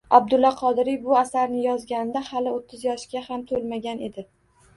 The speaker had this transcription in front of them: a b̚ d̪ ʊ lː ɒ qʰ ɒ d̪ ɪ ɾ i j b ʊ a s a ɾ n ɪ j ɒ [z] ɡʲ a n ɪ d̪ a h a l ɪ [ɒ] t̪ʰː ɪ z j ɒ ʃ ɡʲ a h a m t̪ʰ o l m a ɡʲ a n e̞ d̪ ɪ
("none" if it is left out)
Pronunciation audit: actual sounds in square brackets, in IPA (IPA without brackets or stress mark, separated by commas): z, o